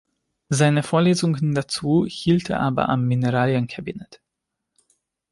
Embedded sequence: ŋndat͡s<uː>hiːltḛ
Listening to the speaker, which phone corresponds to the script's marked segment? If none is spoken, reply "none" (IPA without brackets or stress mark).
uː